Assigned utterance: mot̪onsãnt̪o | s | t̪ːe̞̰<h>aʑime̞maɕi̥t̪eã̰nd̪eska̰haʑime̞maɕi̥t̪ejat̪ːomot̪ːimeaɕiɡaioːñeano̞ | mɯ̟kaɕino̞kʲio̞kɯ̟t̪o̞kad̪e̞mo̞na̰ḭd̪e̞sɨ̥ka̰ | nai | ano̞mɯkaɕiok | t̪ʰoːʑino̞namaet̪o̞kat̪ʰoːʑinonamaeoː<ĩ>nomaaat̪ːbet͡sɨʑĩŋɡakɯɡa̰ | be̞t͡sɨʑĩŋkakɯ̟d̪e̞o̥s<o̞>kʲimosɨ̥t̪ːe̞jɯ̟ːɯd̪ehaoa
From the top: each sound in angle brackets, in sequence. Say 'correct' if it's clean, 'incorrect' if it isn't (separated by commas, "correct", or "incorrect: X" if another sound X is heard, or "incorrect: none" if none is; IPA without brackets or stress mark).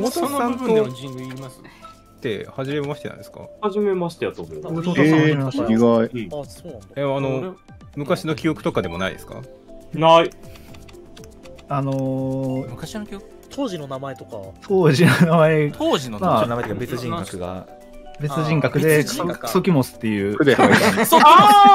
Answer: correct, incorrect: i, correct